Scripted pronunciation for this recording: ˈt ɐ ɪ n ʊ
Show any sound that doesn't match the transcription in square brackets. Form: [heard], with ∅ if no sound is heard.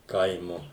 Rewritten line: [ˈk] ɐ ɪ [m] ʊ